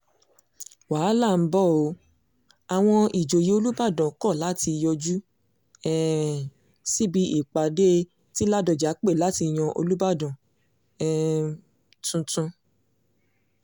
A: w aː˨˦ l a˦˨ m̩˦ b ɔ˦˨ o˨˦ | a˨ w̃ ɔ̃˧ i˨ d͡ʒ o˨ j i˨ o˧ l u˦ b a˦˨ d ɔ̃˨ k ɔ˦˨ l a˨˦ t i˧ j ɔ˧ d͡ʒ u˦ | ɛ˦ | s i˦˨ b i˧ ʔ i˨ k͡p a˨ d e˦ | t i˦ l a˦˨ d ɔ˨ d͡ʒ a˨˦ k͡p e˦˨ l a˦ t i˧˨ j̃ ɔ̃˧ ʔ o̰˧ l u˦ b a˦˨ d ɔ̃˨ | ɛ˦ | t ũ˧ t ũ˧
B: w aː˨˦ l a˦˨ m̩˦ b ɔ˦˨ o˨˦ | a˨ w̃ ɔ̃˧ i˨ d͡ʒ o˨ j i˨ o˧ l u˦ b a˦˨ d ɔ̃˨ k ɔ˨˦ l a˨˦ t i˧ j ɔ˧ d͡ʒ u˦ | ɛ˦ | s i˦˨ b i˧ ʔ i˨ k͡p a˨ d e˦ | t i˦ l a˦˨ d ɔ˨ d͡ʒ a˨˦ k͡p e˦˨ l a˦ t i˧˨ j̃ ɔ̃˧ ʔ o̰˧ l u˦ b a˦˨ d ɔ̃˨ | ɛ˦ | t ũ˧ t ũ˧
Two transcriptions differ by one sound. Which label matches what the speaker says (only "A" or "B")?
A